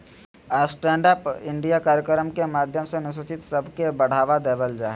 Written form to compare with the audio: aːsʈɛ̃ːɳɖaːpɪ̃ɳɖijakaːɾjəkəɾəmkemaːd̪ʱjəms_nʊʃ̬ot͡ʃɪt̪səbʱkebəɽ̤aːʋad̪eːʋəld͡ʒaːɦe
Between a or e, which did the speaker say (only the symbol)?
e